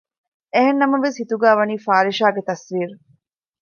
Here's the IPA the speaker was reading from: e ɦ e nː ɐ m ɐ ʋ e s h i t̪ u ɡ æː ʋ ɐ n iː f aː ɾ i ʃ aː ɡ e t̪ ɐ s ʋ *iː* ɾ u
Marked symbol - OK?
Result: yes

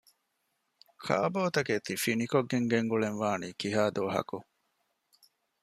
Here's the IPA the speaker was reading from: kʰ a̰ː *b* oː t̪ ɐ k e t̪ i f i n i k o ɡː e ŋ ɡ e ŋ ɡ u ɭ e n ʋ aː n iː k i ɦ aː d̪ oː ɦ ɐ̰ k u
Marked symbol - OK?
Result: yes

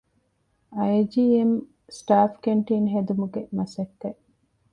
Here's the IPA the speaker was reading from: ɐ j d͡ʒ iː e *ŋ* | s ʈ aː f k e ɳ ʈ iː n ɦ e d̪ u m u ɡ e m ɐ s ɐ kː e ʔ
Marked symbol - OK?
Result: no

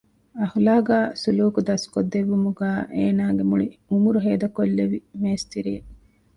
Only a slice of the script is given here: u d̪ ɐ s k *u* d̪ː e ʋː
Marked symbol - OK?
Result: no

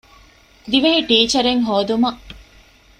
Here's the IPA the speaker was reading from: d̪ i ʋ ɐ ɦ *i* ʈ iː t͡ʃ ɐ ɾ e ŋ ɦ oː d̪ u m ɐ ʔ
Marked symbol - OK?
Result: yes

